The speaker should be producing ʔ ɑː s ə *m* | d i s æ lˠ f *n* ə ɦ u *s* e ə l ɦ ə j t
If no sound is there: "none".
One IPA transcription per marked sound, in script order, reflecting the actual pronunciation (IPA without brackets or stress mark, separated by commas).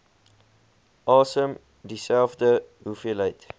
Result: m, d, f